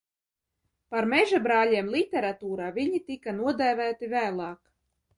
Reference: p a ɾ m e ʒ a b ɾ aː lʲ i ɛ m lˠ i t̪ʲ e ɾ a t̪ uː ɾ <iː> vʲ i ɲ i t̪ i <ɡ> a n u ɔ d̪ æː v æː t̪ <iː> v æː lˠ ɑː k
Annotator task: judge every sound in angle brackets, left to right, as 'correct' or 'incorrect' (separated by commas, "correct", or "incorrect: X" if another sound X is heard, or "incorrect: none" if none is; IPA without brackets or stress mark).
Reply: incorrect: aː, incorrect: k, incorrect: i